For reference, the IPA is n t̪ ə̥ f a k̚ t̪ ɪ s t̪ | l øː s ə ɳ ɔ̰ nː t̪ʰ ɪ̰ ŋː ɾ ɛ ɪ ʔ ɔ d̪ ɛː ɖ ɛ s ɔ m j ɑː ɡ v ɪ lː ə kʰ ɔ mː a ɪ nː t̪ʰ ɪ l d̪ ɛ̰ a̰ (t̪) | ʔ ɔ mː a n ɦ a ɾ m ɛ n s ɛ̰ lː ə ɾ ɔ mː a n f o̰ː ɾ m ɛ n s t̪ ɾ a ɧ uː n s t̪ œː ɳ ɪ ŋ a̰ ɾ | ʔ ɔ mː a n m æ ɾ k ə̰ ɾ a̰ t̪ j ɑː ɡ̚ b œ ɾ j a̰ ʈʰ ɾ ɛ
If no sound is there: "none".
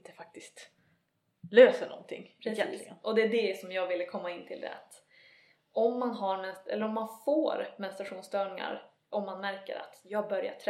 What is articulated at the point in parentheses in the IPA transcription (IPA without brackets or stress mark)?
t̪